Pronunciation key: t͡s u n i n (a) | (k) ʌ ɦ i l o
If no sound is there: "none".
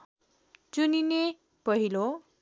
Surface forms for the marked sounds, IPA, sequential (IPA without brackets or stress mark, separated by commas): e, p